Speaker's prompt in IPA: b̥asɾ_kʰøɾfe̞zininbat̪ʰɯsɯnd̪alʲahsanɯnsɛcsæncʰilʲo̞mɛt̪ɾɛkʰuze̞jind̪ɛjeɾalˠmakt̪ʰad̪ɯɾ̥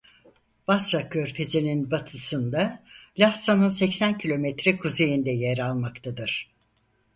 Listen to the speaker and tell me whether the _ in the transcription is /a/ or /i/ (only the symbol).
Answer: a